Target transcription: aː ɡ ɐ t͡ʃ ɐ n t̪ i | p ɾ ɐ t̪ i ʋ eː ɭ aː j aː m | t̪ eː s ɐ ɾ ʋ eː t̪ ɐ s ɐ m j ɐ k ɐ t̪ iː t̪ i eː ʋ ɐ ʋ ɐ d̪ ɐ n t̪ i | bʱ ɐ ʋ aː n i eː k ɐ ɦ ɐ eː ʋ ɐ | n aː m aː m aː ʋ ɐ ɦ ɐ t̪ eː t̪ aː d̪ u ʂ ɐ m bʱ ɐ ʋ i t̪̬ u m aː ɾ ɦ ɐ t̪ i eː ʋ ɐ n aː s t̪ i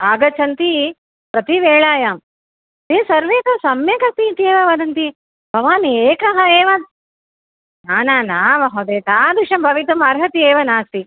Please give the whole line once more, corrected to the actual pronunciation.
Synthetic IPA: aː ɡ ɐ t͡ʃ ɐ n t̪ i | p ɾ ɐ t̪ i ʋ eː ɭ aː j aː m | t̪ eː s ɐ ɾ ʋ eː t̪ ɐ s ɐ m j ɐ k ɐ t̪ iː t̪ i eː ʋ ɐ ʋ ɐ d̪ ɐ n t̪ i | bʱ ɐ ʋ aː n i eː k ɐ ɦ ɐ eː ʋ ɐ | n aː n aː n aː ʋ ɐ ɦ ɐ d̪ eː t̪ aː d̪ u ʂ ɐ m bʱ ɐ ʋ i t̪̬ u m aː ɾ ɦ ɐ t̪ i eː ʋ ɐ n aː s t̪ i

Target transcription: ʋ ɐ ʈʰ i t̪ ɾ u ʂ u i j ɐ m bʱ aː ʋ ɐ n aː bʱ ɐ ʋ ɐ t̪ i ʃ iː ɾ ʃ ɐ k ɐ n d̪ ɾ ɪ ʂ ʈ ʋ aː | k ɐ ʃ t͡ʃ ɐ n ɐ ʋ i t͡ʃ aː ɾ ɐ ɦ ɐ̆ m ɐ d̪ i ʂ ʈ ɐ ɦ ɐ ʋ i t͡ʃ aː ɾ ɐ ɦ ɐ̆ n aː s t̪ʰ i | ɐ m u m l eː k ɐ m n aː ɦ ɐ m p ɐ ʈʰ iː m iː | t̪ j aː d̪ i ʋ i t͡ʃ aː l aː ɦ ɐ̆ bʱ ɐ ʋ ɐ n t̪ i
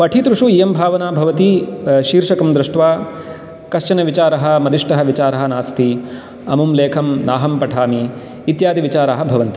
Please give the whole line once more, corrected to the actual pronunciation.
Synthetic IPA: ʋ ɐ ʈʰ i t̪ ɾ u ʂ u i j ɐ m bʱ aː ʋ ɐ n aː bʱ ɐ ʋ ɐ t̪ i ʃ iː ɾ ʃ ɐ k ɐ m d̪ ɾ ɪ ʂ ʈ ʋ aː | k ɐ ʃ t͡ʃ ɐ n ɐ ʋ i t͡ʃ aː ɾ ɐ ɦ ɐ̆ m ɐ d̪ i ʂ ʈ ɐ ɦ ɐ ʋ i t͡ʃ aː ɾ ɐ ɦ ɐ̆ n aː s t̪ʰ i | ɐ m u m l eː kʰ ɐ m n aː ɦ ɐ m p ɐ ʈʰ aː m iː | t̪ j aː d̪ i ʋ i t͡ʃ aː ɾ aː ɦ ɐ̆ bʱ ɐ ʋ ɐ n t̪ i

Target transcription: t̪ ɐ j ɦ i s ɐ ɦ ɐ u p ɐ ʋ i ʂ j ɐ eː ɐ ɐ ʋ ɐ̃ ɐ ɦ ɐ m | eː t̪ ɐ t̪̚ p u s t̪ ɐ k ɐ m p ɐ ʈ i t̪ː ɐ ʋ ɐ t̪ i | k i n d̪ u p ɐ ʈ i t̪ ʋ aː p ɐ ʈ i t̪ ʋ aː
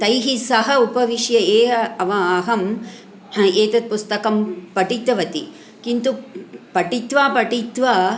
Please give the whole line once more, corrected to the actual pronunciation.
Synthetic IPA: t̪ ɐ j ɦ i s ɐ ɦ ɐ u p ɐ ʋ i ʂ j ɐ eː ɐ ɐ ʋ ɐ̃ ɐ ɦ ɐ m | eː t̪ ɐ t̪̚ p u s t̪ ɐ k ɐ m p ɐ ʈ i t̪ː ɐ ʋ ɐ t̪ i | k i n t̪ u p ɐ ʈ i t̪ ʋ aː p ɐ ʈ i t̪ ʋ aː

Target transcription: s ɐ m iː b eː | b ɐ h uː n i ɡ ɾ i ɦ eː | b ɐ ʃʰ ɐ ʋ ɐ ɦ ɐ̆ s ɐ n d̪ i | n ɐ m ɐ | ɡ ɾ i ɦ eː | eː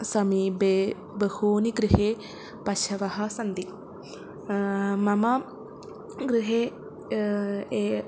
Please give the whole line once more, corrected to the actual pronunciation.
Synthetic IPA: s ɐ m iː b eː | b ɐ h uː n i ɡ ɾ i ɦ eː | p ɐ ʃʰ ɐ ʋ ɐ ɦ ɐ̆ s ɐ n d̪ i | m ɐ m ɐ | ɡ ɾ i ɦ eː | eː

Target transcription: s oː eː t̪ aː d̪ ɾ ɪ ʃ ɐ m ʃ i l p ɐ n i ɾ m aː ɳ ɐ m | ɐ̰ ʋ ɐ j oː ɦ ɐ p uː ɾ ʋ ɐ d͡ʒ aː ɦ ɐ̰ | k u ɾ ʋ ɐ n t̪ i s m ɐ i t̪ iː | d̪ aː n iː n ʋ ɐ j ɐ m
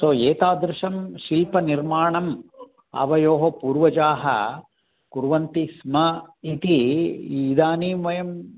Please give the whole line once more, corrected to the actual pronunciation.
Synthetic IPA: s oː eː t̪ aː d̪ ɾ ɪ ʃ ɐ m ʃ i l p ɐ n i ɾ m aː ɳ ɐ m | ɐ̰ ʋ ɐ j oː ɦ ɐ p uː ɾ ʋ ɐ d͡ʒ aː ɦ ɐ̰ | k u ɾ ʋ ɐ n t̪ i s m ɐ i t̪ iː | d̪ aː n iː m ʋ ɐ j ɐ m

